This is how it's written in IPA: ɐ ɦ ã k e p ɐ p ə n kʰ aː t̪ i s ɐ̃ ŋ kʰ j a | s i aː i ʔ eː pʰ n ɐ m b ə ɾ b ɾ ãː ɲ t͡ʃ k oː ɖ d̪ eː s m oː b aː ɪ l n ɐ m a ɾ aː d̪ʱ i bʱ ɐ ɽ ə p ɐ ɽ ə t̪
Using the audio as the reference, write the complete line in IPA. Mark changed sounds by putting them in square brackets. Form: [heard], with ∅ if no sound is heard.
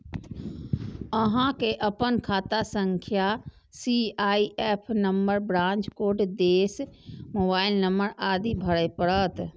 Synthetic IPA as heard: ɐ ɦ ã k e [ʔ] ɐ p ə n kʰ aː t̪ [a] s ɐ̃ ŋ kʰ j a | s i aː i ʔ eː pʰ n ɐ m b ə ɾ b ɾ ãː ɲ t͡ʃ k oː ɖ d̪ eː s m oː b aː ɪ l n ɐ m [ə] ɾ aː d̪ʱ i bʱ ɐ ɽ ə p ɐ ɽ ə t̪